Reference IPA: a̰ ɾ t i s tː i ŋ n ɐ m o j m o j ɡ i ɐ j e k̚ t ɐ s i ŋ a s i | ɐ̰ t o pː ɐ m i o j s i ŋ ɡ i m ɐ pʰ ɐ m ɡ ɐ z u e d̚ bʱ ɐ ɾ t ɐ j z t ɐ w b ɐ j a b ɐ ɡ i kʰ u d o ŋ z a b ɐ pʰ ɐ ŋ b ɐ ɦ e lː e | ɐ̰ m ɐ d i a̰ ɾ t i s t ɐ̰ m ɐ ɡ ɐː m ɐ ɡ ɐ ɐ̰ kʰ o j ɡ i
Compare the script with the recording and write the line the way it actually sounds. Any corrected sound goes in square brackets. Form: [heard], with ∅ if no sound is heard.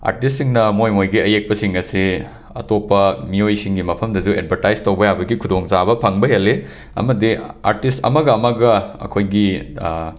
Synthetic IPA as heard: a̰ ɾ t i s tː i ŋ n ɐ m o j m o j ɡ i ɐ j e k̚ [p] ɐ s i ŋ [ɐ] s i | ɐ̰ t o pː ɐ m i o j s i ŋ ɡ i m ɐ pʰ ɐ m [d] ɐ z u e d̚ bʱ ɐ ɾ t [a] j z t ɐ w b ɐ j a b ɐ ɡ i kʰ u d o ŋ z a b ɐ pʰ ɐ ŋ b ɐ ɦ e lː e | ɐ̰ m ɐ d i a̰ ɾ t i s t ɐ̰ m ɐ ɡ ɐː m ɐ ɡ ɐ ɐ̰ kʰ o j ɡ i

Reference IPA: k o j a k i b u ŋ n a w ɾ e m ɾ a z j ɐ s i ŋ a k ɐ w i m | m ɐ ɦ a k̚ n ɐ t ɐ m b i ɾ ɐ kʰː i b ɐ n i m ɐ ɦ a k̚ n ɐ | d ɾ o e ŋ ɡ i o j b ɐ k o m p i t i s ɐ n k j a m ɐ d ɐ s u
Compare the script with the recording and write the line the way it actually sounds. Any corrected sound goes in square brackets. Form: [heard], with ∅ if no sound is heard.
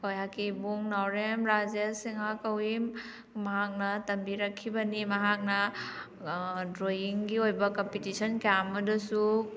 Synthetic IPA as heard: k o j a k i b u ŋ n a w ɾ e m ɾ a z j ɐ s i ŋ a k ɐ w i m | m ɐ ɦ a k̚ n ɐ t ɐ m b i ɾ ɐ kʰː i b ɐ n i m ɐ ɦ a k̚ n ɐ | d ɾ o [i] ŋ ɡ i o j b ɐ k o m p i t i s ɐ n k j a m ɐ d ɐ s u

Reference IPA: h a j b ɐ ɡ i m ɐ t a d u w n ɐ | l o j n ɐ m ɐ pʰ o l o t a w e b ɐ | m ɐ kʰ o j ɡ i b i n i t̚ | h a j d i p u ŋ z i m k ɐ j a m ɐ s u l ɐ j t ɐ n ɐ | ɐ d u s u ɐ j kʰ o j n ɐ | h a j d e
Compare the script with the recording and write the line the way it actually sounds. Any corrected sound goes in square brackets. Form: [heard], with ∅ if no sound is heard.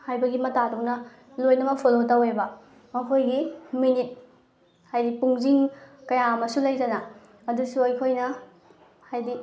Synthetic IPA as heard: h a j b ɐ ɡ i m ɐ t a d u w n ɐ | l o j n ɐ m ɐ pʰ o l o t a w e b ɐ | m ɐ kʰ o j ɡ i [m] i n i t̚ | h a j d i p u ŋ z i [ŋ] k ɐ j a m ɐ s u l ɐ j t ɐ n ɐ | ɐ d u s u ɐ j kʰ o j n ɐ | h a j d [i]

